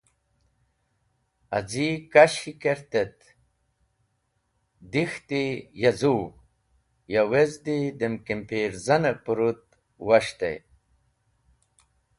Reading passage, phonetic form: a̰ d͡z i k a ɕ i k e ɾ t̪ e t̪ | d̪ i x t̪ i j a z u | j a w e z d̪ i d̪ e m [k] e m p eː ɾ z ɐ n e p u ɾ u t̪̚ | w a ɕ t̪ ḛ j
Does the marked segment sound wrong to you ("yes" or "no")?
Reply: no